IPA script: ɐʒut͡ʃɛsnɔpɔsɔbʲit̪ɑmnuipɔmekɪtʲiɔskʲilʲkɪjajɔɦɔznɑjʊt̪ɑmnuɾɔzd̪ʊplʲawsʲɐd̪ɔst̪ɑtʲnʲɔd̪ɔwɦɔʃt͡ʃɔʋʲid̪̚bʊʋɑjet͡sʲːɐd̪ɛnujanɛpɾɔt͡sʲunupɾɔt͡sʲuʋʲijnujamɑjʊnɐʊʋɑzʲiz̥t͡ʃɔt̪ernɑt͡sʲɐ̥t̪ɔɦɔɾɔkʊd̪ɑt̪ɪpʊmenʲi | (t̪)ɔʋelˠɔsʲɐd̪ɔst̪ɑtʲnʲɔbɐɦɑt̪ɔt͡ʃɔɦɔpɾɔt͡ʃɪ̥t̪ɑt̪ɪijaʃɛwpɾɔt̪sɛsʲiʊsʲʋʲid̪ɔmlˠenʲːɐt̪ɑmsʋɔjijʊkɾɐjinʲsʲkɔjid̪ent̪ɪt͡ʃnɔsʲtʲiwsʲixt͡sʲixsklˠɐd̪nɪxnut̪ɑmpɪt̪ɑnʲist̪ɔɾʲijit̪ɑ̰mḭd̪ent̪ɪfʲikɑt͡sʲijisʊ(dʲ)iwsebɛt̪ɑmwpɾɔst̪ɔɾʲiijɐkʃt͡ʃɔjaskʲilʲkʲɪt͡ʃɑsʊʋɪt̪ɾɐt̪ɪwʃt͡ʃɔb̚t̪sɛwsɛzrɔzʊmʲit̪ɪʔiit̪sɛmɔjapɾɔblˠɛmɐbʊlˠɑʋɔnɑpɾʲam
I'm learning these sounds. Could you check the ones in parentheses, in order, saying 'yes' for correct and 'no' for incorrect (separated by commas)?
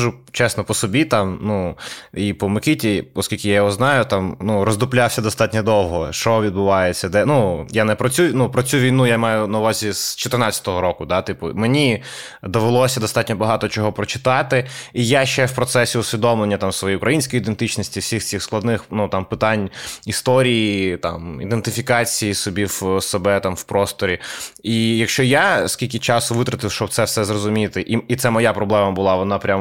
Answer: no, no